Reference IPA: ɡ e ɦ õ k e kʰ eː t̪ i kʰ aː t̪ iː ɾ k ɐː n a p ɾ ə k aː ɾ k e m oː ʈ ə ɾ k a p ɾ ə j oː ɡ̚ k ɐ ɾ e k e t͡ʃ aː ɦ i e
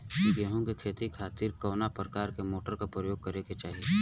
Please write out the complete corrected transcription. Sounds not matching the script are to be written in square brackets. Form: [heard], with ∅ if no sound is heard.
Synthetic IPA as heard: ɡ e ɦ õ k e kʰ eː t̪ i kʰ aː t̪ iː ɾ k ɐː n a p ɾ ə k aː ɾ k e m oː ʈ ə ɾ k a p ɾ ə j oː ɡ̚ k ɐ ɾ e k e t͡ʃ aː ɦ i e

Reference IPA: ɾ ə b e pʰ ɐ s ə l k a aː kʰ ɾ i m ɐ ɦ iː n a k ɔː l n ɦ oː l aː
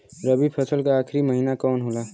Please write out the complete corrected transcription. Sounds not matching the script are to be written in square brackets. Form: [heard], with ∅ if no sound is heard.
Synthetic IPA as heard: ɾ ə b [i] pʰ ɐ s ə l k a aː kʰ ɾ i m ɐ ɦ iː n a k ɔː [∅] n ɦ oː l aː

